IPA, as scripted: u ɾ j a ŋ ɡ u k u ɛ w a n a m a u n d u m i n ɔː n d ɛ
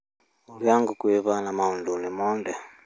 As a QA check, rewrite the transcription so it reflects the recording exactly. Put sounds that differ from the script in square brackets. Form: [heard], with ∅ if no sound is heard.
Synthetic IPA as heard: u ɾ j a ŋ ɡ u k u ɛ [β] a n a m a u n d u [n] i [m] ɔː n d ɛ